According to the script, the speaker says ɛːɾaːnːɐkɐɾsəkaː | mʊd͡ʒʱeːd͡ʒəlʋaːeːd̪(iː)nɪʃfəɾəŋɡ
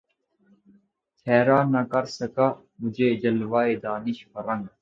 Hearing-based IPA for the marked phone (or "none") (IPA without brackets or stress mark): aː